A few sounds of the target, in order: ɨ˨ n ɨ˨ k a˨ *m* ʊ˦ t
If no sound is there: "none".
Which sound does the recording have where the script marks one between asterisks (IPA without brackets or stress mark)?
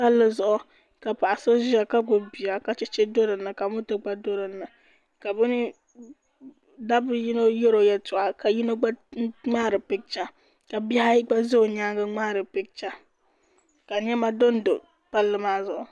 m